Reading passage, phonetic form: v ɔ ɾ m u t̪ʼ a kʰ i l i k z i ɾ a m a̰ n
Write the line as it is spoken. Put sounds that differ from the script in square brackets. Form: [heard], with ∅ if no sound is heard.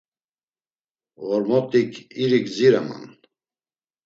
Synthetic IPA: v ɔ ɾ m [ɔ] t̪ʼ [i] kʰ i [ɾ] i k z i ɾ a m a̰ n